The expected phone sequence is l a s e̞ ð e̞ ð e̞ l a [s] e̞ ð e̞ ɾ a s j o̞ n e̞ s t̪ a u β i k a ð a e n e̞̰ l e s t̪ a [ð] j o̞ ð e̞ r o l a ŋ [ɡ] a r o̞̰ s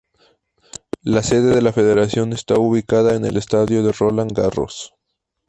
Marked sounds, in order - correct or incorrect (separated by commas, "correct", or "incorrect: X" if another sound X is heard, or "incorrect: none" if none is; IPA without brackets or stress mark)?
incorrect: f, correct, correct